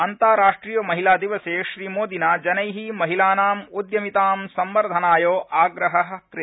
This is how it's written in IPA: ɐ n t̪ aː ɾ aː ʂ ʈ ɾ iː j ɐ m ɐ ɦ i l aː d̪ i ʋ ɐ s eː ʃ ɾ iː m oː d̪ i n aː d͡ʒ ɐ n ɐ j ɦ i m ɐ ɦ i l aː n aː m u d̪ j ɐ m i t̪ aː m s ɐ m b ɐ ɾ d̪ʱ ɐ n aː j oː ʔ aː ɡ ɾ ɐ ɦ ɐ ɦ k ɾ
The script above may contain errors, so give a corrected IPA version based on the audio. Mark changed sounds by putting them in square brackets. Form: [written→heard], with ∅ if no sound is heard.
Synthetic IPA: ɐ n t̪ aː ɾ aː ʂ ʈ ɾ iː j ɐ m ɐ ɦ i l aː d̪ i ʋ ɐ s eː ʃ ɾ iː m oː d̪ i n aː d͡ʒ ɐ n ɐ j ɦ i m ɐ ɦ i l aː n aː m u d̪ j ɐ m i t̪ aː m s ɐ m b ɐ ɾ d̪ʱ ɐ n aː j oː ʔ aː ɡ ɾ ɐ ɦ ɐ ɦ k ɾ

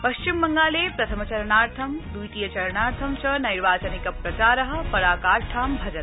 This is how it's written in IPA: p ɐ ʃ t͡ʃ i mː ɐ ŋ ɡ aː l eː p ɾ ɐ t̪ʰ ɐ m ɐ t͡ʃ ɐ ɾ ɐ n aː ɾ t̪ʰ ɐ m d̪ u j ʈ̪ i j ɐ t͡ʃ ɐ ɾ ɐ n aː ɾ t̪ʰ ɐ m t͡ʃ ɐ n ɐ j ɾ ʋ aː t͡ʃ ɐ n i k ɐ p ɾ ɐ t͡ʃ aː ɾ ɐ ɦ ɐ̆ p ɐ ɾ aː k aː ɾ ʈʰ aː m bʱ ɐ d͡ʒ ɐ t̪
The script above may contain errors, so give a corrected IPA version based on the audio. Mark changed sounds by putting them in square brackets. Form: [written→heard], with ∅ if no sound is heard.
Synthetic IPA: p ɐ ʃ t͡ʃ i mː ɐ ŋ ɡ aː l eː p ɾ ɐ t̪ʰ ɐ m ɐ t͡ʃ ɐ ɾ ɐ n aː ɾ t̪ʰ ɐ m d̪ u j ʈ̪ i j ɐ t͡ʃ ɐ ɾ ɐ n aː ɾ t̪ʰ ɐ m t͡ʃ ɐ n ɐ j ɾ ʋ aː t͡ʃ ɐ n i k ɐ p ɾ ɐ t͡ʃ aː ɾ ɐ ɦ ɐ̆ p ɐ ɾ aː k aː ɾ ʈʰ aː m bʱ ɐ d͡ʒ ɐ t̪

